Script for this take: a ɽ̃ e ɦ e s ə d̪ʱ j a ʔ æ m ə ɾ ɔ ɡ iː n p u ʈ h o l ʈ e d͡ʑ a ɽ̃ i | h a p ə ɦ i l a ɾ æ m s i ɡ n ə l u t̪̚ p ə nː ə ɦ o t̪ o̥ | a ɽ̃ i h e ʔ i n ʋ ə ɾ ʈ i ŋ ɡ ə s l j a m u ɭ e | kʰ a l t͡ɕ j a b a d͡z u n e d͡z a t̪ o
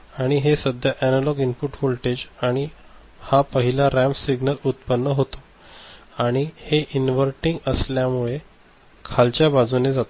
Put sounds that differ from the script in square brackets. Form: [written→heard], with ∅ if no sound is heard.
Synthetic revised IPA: a ɽ̃ [e→i] ɦ e s ə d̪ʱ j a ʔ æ [m→n] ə [ɾ→l] ɔ ɡ [iː→i] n p u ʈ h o l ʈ e d͡ʑ a ɽ̃ i | h a p ə ɦ i l a ɾ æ m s i ɡ n ə l u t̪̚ p ə nː ə ɦ o t̪ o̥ | a ɽ̃ i h e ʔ i n ʋ ə ɾ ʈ i ŋ ɡ ə s l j a m u ɭ e | kʰ a l t͡ɕ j a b a d͡z u n e d͡z a t̪ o